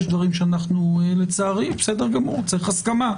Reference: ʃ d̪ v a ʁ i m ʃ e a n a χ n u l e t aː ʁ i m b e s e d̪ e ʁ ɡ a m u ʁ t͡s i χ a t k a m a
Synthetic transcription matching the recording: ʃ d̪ v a ʁ i m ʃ e a n a χ n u l e t͡s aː ʁ i m b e s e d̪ e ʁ ɡ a m u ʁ t͡s i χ a s k a m a